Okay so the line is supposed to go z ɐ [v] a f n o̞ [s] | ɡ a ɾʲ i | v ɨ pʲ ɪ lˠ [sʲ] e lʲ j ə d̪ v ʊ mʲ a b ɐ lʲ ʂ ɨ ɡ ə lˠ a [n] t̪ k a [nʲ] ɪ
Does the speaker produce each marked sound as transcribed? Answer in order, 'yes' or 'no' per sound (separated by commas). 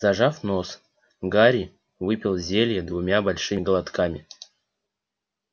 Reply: no, yes, no, no, no